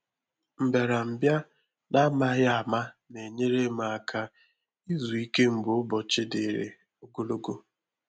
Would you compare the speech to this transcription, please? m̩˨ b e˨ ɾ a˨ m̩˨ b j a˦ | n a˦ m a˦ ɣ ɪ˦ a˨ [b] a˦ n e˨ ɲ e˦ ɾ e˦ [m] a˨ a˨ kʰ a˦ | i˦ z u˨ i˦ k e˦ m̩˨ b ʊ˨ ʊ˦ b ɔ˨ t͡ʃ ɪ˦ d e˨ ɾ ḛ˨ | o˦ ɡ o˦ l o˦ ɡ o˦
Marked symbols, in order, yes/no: no, yes

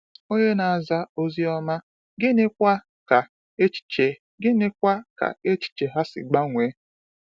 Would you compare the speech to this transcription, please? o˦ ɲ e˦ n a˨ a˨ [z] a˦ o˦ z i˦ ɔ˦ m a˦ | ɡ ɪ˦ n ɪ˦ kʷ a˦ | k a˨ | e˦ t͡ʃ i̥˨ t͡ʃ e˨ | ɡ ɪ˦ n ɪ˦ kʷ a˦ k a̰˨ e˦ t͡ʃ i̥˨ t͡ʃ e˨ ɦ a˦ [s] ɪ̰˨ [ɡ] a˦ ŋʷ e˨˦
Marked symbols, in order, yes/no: yes, yes, no

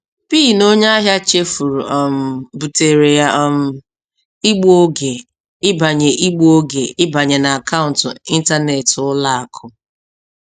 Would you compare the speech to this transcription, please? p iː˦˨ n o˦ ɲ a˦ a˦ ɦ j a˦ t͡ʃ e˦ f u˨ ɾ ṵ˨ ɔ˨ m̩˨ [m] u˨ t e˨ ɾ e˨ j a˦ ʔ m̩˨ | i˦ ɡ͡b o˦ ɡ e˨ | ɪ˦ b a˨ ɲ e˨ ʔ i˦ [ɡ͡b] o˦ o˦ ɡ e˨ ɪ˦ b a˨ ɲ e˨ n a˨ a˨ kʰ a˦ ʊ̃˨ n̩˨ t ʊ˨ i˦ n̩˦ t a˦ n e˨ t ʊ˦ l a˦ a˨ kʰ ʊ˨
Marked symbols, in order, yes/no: no, yes

